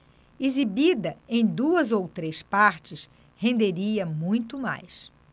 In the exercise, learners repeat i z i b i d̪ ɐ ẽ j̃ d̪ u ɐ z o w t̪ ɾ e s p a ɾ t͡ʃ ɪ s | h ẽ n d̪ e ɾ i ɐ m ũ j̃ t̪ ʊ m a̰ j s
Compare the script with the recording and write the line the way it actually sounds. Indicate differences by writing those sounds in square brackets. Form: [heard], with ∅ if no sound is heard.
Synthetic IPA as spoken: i z i b i d̪ ɐ ẽ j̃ d̪ u ɐ z o w t̪ ɾ e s p a ɾ t͡ʃ ɪ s | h ẽ n d̪ e ɾ i ɐ m ũ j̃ t̪ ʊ m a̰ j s